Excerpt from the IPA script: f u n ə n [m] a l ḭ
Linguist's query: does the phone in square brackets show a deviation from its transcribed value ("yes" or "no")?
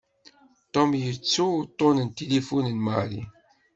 no